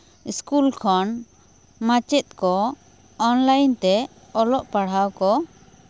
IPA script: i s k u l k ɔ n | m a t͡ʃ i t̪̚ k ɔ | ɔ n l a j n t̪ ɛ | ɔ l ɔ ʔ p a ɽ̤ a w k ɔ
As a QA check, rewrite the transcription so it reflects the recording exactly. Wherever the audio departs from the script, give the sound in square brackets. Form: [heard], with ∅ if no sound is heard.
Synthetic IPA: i s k u l [kʰ] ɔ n | m a t͡ʃ [ɛ] t̪̚ k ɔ | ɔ n l a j n t̪ ɛ | ɔ l ɔ ʔ p a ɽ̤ a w k ɔ